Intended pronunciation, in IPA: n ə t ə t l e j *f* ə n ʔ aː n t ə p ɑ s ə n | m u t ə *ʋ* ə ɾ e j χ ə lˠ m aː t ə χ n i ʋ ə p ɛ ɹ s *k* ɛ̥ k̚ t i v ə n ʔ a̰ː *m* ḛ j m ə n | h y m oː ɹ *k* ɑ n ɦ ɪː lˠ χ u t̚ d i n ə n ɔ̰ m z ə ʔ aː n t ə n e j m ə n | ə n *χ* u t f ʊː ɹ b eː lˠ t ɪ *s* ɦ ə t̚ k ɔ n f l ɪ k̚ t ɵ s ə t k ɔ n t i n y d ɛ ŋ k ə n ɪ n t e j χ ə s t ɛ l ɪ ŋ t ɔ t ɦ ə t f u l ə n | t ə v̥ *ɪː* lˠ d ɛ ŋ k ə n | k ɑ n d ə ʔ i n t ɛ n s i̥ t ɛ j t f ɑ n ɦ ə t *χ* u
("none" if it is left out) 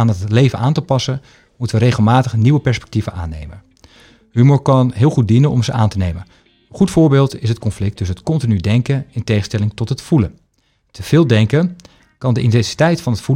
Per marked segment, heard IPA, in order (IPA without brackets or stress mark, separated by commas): v, ʋ, p, n, k, χ, s, ɪː, f